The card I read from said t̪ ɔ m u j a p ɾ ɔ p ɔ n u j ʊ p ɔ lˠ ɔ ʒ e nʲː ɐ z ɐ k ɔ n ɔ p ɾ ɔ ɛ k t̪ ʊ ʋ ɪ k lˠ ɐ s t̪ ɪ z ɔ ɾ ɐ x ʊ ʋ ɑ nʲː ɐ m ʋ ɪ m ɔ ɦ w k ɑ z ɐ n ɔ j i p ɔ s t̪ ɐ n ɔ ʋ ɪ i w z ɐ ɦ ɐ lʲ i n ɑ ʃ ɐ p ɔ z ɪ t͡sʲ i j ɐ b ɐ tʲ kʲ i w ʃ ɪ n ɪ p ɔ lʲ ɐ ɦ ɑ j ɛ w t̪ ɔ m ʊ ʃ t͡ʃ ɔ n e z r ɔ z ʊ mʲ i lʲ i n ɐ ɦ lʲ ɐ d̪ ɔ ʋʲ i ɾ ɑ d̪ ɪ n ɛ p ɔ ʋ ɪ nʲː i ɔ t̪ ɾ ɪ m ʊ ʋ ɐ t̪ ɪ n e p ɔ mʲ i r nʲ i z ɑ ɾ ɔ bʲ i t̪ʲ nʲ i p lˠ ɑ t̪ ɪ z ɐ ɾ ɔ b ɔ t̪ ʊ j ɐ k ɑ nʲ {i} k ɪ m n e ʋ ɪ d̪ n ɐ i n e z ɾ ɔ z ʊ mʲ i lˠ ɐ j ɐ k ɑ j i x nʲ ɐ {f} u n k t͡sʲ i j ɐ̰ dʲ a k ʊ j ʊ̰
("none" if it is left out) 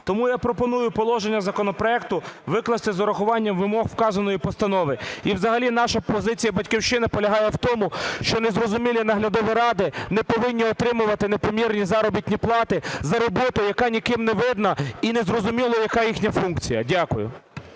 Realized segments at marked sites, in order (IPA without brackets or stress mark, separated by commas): i, f